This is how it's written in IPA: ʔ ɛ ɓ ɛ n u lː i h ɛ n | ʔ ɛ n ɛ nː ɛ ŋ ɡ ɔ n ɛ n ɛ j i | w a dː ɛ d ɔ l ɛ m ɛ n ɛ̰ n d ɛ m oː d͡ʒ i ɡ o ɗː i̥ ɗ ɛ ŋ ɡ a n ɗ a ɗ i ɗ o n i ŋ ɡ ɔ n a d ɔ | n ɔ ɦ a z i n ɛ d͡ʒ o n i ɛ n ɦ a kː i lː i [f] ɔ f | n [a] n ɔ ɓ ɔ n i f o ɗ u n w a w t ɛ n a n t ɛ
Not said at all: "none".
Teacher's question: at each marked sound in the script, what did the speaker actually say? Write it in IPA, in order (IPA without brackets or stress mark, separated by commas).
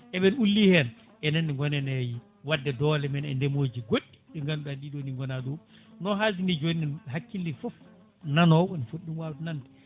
f, a